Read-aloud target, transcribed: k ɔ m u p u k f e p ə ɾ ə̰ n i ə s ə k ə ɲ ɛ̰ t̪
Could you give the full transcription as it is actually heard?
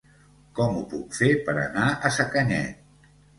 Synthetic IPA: k ɔ m u p u k f e p ə ɾ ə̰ n a ə s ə k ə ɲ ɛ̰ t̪